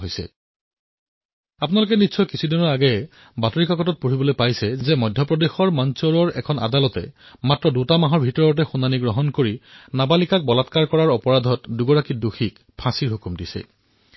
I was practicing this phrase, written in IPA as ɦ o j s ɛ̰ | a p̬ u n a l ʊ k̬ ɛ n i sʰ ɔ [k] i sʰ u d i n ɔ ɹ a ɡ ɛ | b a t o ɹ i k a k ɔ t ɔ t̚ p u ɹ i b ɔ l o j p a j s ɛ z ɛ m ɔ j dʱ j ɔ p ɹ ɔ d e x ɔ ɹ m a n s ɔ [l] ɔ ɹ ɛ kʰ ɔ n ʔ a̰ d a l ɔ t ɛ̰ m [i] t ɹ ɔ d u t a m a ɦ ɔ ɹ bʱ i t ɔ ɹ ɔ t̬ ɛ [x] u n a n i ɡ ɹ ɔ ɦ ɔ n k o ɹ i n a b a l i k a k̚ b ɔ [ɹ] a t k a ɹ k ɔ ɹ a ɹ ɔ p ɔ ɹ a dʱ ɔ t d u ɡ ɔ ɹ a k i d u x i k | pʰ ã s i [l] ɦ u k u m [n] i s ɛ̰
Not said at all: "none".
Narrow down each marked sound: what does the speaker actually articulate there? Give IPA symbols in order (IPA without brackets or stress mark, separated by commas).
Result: k, ɹ, a, x, l, ɹ, d